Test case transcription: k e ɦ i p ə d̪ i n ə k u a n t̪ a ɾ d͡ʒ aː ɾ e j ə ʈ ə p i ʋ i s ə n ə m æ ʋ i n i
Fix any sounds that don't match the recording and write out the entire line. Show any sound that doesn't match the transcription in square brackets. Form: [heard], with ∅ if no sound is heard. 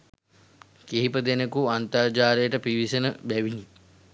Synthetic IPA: k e ɦ i p ə d̪ [e] n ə k u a n t̪ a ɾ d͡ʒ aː ɾ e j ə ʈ ə p i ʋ i s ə n ə [b] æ ʋ i n i